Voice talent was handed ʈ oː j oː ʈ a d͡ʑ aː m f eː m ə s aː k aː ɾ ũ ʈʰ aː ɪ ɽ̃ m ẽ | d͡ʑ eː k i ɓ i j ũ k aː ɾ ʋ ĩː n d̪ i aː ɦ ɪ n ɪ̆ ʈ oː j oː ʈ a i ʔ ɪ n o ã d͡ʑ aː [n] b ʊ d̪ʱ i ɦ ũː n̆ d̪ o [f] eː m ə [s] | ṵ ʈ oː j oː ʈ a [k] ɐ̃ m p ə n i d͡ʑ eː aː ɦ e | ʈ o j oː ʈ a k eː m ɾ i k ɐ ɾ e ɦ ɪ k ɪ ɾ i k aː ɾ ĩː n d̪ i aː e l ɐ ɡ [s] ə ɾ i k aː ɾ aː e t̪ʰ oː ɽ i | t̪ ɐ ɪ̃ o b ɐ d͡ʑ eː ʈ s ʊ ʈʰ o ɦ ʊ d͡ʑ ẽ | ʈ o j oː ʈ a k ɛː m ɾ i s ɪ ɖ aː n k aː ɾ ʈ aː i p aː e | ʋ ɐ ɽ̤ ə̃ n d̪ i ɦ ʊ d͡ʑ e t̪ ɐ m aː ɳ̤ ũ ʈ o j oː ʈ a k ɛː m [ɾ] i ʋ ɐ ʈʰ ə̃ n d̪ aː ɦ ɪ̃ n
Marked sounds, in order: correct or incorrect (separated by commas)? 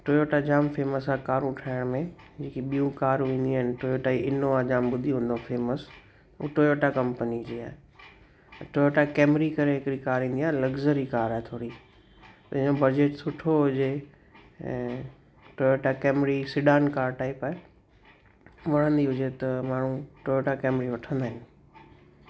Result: incorrect, correct, correct, correct, incorrect, correct